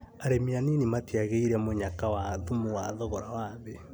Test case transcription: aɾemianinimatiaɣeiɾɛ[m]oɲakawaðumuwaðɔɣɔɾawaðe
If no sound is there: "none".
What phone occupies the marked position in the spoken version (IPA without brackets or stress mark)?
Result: m